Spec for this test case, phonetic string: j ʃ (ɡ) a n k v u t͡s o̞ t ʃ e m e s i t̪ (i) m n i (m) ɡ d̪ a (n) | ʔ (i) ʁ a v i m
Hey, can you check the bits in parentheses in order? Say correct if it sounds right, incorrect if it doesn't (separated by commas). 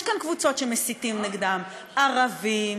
incorrect, correct, incorrect, incorrect, incorrect